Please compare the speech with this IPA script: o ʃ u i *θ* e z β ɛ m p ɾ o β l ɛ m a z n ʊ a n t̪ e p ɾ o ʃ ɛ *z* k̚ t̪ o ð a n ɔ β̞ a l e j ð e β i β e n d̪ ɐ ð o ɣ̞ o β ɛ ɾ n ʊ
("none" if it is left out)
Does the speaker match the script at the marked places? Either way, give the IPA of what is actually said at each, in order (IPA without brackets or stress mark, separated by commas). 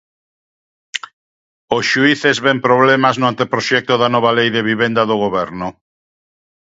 θ, none